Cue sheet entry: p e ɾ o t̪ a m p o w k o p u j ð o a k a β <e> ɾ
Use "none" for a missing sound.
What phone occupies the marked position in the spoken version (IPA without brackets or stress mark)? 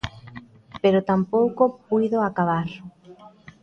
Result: a